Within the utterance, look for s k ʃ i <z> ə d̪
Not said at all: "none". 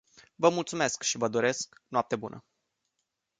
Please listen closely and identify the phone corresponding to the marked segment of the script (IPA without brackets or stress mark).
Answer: v